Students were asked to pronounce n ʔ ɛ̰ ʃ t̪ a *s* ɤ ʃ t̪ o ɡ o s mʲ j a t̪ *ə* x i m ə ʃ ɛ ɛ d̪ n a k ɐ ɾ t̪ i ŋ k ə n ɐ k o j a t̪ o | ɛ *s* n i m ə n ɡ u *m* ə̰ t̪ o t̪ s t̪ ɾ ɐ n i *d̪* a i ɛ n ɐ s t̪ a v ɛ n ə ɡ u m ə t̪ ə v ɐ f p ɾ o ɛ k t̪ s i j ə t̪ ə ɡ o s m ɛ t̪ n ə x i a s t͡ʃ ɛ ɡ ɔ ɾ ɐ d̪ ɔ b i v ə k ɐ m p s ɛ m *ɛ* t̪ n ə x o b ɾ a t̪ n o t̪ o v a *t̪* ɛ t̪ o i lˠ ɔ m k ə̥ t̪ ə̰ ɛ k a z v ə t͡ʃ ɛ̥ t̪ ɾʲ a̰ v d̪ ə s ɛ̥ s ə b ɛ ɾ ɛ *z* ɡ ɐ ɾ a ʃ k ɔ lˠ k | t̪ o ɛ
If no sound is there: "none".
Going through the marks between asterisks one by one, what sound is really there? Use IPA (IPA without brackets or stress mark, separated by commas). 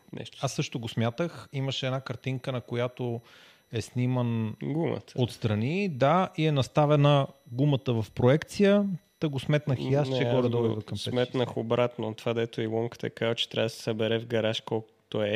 sː, ə, s, m, d̪, ɛ, d̪, v